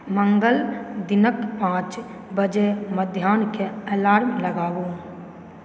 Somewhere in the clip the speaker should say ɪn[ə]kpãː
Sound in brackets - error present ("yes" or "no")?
no